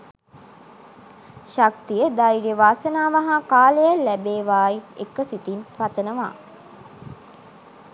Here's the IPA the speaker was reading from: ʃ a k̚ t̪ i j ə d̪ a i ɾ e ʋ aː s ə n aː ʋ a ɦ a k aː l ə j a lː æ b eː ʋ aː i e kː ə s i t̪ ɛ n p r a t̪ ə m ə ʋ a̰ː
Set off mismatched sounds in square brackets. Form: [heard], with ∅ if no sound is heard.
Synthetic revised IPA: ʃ a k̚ t̪ i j ə d̪ a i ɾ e ʋ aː s ə n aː ʋ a ɦ a k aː l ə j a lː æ b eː ʋ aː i e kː ə s i t̪ [i] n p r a t̪ ə [n] ə ʋ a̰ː